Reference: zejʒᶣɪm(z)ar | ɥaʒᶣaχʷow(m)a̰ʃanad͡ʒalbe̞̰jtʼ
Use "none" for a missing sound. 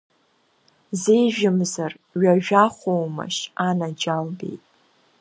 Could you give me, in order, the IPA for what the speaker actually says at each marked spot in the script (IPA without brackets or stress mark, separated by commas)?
z, m